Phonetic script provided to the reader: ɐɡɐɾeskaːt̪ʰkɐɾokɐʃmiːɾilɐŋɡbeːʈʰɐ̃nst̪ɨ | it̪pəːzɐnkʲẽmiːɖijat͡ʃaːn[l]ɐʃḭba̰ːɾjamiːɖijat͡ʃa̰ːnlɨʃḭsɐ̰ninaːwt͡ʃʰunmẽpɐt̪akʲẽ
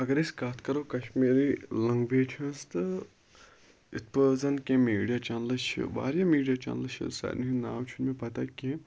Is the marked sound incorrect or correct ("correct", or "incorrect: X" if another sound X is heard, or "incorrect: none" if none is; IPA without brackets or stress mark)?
correct